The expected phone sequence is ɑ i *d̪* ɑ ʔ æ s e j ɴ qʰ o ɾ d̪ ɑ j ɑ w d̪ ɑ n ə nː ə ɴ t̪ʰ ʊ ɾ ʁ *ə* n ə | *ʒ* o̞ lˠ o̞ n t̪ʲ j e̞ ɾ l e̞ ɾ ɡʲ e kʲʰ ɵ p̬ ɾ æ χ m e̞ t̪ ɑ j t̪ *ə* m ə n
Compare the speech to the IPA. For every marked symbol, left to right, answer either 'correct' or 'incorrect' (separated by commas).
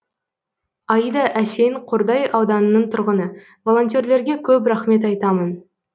correct, correct, incorrect, incorrect